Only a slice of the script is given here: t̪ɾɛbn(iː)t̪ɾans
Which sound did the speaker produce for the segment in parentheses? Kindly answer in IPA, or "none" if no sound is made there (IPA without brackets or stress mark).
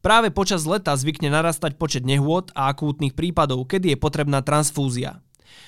aː